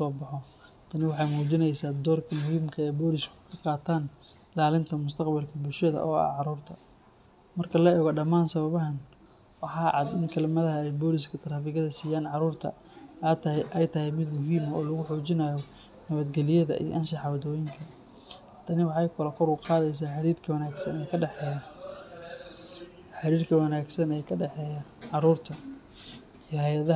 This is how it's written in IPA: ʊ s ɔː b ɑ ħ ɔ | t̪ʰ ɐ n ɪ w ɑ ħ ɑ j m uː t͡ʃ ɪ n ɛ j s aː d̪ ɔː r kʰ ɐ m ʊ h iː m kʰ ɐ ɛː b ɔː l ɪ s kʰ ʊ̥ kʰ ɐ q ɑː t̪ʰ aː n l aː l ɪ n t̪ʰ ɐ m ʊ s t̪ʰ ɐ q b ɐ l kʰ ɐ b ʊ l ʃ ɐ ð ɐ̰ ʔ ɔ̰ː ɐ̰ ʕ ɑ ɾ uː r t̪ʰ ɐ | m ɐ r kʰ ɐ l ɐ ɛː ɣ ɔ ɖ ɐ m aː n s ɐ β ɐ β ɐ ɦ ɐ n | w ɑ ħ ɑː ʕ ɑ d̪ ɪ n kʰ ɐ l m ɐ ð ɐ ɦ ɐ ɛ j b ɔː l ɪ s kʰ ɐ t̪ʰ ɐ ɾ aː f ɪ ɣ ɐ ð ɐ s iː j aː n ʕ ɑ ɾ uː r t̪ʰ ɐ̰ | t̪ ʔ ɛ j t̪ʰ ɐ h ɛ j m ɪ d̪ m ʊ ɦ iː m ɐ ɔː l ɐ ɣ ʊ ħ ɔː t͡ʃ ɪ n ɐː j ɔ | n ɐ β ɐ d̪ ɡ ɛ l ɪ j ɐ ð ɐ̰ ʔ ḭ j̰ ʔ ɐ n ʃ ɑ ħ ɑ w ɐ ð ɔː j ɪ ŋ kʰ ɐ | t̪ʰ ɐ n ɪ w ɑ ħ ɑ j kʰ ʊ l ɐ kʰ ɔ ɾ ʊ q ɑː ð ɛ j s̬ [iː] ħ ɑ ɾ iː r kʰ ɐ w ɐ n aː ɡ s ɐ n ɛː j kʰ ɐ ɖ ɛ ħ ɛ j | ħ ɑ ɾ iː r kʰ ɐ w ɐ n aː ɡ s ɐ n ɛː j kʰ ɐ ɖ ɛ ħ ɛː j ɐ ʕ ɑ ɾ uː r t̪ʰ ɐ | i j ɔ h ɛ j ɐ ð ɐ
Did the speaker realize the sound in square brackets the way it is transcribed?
no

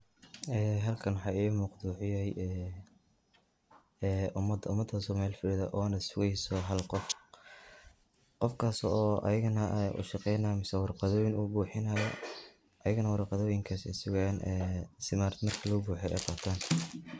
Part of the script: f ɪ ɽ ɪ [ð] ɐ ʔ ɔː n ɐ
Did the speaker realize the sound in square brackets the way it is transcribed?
yes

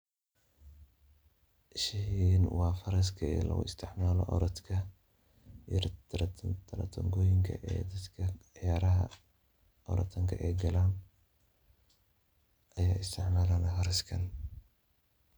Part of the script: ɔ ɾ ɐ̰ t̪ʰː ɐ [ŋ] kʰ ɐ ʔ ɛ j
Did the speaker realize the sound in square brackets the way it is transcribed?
yes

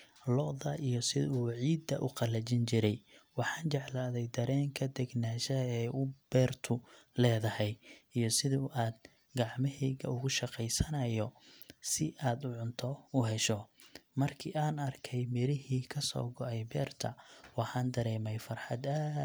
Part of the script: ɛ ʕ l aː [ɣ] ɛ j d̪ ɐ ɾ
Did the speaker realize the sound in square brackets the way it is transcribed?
no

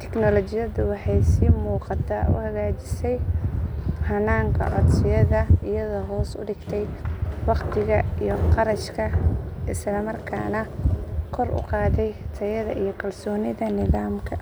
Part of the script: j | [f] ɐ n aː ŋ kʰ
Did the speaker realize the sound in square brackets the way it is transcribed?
no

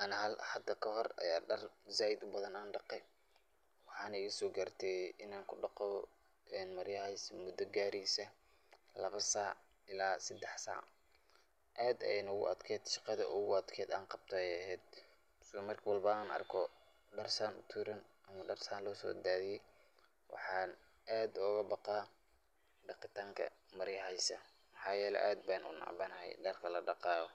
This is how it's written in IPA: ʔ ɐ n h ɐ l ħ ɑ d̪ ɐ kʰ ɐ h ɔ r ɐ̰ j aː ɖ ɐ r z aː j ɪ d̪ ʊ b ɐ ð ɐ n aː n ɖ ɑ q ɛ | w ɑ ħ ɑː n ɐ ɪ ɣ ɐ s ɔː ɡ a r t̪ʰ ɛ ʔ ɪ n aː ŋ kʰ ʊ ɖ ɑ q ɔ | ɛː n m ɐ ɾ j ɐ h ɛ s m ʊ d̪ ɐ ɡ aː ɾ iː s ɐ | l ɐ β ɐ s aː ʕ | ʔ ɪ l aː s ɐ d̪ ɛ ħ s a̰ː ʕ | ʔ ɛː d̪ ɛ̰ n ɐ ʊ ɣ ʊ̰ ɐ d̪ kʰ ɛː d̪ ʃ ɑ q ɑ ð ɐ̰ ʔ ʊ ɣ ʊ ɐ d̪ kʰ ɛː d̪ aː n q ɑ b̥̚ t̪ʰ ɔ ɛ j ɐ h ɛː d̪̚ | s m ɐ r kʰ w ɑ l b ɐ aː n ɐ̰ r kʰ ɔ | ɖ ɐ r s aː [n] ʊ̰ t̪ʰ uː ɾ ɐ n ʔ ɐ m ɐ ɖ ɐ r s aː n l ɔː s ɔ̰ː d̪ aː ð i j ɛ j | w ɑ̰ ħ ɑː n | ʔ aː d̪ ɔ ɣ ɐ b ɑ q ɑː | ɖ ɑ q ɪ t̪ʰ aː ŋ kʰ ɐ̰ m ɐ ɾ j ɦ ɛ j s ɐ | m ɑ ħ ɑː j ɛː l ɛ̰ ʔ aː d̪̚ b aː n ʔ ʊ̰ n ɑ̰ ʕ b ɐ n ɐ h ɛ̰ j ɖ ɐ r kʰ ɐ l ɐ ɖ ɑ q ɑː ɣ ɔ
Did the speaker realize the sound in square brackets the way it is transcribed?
yes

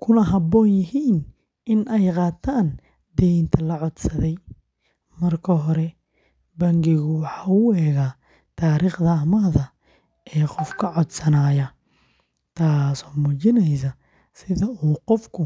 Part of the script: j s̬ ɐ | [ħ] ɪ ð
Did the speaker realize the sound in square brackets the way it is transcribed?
no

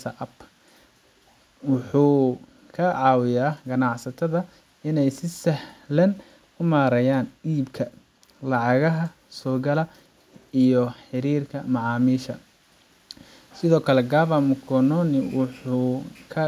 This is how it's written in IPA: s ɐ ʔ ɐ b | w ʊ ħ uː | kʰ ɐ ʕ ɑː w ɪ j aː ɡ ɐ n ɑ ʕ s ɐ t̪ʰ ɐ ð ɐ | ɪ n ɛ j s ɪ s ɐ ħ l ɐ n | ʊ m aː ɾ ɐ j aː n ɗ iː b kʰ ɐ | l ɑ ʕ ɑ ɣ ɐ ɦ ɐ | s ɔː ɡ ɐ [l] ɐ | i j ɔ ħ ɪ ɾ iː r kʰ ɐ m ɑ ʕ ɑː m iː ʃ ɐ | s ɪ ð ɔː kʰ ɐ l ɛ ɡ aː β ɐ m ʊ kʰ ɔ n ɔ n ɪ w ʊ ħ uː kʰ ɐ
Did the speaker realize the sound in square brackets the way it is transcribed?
yes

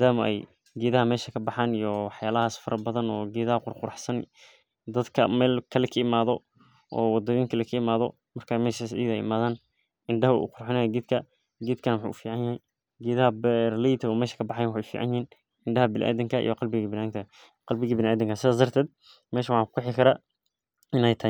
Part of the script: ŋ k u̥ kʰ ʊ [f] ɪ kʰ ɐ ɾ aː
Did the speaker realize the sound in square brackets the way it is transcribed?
no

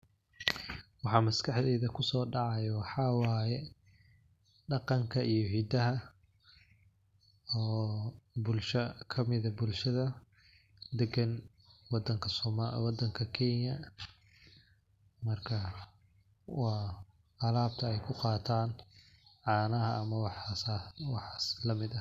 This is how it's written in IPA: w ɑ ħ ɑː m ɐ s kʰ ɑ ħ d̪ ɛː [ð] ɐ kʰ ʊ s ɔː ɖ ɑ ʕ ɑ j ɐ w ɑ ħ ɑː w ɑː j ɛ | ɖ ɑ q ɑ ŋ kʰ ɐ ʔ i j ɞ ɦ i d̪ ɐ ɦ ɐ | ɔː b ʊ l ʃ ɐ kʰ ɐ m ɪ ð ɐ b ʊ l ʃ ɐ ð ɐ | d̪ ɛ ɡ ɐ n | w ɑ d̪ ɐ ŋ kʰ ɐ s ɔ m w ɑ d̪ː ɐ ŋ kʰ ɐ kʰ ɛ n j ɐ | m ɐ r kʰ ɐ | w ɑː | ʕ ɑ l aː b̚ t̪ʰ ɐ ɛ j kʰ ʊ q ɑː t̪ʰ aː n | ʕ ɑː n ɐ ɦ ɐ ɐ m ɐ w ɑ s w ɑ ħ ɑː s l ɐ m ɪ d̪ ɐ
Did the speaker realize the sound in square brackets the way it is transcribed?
yes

